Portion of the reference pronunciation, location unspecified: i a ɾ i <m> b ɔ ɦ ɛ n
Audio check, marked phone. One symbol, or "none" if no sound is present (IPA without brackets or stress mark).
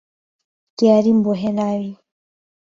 m